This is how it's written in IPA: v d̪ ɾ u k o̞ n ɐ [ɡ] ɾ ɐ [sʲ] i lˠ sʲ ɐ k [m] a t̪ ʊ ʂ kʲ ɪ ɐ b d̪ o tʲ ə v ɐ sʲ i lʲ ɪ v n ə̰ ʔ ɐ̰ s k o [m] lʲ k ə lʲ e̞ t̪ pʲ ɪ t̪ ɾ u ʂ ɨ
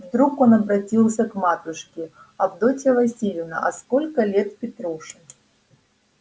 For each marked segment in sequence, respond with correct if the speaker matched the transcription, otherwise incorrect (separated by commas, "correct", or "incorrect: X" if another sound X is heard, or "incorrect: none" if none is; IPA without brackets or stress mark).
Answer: incorrect: b, incorrect: tʲ, correct, incorrect: none